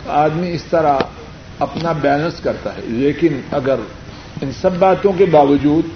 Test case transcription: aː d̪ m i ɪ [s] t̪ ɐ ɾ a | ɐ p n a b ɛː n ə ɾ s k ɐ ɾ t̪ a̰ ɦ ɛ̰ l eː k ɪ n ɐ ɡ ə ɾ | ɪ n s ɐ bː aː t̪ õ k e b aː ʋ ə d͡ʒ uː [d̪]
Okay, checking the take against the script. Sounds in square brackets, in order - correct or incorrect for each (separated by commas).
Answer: correct, correct